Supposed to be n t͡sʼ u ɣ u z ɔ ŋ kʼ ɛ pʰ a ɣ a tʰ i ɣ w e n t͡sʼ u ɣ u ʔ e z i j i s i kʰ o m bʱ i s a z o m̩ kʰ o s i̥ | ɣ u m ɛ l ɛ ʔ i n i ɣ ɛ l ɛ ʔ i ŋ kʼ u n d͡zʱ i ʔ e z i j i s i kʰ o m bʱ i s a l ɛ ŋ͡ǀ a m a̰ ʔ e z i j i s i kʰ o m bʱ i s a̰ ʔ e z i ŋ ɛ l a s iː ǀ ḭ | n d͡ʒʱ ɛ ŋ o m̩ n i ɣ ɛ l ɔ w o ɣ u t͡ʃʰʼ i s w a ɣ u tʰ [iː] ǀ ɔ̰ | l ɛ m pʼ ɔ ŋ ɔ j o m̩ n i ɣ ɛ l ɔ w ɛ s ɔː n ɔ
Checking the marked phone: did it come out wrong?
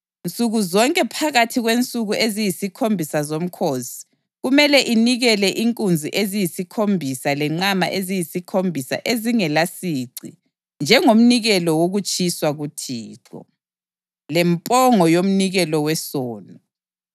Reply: no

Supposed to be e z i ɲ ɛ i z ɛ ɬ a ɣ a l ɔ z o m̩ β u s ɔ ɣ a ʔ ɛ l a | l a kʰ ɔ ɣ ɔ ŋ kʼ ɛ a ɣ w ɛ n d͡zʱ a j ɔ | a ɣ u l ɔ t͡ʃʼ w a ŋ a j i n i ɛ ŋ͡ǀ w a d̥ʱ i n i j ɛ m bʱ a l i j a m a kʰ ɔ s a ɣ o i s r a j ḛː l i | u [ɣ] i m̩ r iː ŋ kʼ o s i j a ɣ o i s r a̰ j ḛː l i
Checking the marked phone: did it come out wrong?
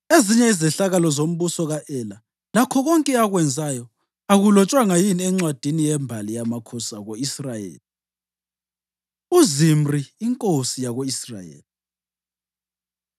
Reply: yes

